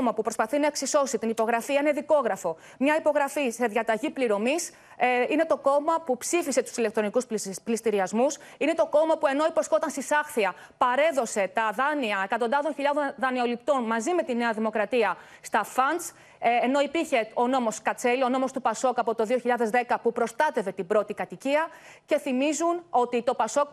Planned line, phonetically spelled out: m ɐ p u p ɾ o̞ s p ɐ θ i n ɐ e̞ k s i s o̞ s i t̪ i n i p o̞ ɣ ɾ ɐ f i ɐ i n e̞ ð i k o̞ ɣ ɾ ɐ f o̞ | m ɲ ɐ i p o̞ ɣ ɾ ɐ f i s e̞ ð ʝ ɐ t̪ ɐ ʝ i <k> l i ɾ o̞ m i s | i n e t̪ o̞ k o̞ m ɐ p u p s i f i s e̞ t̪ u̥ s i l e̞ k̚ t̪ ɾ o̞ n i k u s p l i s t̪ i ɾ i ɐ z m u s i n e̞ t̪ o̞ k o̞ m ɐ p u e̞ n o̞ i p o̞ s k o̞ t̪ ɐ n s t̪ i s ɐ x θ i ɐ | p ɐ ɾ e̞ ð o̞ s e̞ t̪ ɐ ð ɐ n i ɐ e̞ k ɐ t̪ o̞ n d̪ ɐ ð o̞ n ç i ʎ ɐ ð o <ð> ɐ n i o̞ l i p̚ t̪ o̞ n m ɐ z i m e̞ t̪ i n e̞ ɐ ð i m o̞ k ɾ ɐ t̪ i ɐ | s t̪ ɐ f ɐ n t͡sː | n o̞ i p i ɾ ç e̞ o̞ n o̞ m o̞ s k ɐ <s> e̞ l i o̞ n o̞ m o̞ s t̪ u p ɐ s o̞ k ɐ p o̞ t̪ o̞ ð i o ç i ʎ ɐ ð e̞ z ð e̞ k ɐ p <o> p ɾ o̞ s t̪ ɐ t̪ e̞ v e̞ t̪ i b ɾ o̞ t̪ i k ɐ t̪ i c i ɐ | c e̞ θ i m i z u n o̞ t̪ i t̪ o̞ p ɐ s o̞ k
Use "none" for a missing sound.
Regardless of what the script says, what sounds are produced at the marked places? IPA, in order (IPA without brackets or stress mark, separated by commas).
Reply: p, ð, t͡s, u